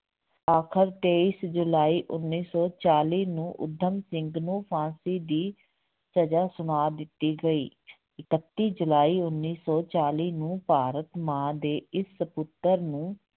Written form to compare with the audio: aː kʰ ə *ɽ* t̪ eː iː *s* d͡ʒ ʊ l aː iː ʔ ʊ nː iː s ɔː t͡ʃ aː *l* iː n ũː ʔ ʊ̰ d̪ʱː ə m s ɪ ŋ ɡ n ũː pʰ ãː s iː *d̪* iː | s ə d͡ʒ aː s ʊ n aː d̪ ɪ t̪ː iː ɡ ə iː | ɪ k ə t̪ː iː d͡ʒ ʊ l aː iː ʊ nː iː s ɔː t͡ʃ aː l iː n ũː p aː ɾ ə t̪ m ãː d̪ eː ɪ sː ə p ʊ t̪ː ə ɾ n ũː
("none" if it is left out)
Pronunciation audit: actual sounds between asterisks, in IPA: ɾ, s, l, d̪

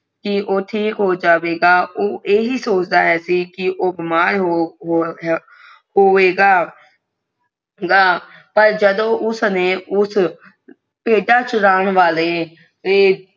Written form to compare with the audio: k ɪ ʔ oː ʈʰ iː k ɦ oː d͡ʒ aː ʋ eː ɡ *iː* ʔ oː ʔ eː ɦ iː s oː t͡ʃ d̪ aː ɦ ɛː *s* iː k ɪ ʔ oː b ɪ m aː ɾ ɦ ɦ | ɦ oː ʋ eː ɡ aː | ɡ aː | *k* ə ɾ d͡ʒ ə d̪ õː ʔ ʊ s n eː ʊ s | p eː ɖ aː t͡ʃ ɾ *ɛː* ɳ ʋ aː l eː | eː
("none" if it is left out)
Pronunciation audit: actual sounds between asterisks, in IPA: aː, s, p, aː

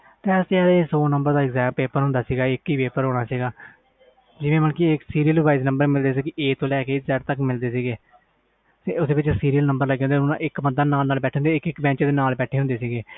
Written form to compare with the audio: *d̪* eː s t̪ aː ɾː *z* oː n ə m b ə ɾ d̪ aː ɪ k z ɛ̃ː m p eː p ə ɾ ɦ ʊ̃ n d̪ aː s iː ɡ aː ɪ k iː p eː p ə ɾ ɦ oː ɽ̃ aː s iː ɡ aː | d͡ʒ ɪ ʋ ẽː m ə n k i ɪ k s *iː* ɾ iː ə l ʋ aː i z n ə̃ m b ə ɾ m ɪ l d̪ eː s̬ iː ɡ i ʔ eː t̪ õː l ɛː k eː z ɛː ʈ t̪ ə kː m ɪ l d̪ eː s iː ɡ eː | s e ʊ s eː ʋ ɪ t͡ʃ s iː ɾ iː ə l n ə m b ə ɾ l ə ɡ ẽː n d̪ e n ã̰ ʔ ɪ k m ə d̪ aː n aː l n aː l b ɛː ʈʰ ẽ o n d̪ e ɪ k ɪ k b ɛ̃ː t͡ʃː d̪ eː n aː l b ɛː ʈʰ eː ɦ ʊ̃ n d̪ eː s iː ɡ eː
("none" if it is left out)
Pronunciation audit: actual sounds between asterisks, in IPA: t̪, s, iː

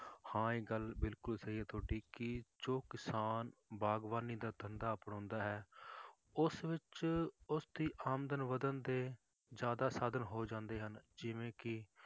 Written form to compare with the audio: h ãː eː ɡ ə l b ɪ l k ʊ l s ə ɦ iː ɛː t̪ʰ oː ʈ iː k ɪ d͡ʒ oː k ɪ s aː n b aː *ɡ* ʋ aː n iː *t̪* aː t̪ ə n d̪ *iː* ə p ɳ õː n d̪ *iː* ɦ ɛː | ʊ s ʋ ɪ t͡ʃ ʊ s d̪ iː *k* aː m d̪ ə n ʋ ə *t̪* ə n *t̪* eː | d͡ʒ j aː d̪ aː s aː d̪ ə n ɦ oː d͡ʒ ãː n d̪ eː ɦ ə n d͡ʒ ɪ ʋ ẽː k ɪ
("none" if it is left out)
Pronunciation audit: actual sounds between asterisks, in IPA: ɡ, d̪, aː, aː, ʔ, d̪, d̪

